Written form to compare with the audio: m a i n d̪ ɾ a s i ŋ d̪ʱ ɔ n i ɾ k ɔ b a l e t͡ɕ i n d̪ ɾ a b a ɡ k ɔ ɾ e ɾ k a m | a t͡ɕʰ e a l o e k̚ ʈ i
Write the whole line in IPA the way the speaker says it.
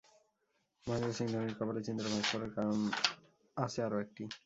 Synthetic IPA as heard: m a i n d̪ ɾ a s i ŋ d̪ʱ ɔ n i ɾ k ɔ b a l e t͡ɕ i n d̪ ɾ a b a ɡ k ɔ ɾ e ɾ k a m | a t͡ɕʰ e a ɾ o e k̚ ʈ i